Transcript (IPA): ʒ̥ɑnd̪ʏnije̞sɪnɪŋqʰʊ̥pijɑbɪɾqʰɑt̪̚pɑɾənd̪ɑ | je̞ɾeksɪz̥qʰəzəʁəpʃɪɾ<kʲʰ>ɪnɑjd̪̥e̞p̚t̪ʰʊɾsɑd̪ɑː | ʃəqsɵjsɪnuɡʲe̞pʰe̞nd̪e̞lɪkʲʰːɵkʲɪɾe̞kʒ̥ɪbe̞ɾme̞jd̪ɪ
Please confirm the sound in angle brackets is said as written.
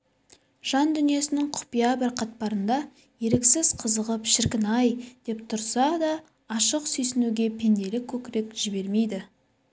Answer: no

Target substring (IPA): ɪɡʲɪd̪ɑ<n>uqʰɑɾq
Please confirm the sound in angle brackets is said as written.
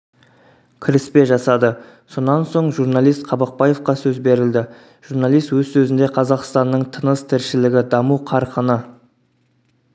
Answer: no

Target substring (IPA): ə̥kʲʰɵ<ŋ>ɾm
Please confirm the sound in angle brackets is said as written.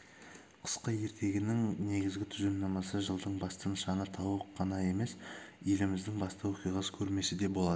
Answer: no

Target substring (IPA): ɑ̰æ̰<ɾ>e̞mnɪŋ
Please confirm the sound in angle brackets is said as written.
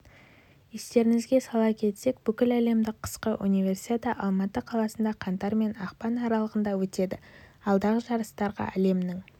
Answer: no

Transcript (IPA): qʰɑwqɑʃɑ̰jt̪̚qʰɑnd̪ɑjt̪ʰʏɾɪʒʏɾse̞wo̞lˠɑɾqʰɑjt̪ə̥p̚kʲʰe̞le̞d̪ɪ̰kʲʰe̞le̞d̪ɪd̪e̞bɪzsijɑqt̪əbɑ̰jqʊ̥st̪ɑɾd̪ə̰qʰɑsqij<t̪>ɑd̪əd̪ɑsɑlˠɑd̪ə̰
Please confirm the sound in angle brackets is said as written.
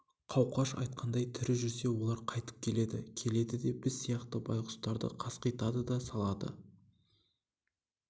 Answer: yes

